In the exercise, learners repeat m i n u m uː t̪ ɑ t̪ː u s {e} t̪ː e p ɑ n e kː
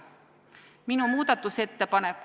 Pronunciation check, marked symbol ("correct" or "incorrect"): correct